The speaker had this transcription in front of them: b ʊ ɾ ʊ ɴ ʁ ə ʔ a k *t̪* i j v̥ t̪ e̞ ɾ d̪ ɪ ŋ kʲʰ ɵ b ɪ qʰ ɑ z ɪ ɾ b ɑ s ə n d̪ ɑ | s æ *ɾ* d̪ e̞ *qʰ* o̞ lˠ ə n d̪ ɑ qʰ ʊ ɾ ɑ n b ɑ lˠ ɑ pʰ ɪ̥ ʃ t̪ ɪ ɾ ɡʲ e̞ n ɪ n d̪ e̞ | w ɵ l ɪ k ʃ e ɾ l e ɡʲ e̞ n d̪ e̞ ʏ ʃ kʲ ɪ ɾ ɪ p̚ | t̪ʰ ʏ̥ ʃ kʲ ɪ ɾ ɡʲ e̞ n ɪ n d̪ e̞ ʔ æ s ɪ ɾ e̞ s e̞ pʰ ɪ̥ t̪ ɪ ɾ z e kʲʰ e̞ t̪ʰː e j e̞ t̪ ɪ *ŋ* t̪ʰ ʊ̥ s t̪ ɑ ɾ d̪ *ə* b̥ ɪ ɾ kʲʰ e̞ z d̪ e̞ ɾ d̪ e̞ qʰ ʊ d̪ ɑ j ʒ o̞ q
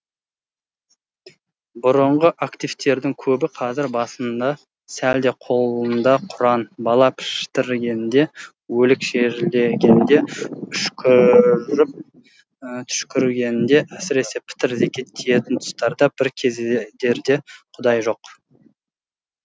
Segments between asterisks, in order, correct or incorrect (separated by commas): correct, incorrect, correct, incorrect, incorrect